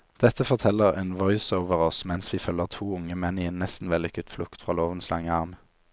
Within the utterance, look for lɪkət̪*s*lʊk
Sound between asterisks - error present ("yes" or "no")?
yes